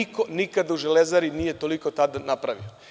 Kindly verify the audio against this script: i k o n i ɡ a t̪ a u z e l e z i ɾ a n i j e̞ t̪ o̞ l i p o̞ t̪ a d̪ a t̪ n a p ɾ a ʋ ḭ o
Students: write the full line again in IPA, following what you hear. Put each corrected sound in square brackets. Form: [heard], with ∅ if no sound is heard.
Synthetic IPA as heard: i k o n i [k] a [d̪] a u [ʒ] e l e z [a] ɾ [i] n i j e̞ t̪ o̞ l i [k] o̞ t̪ a d̪ a [∅] n a p ɾ a ʋ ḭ o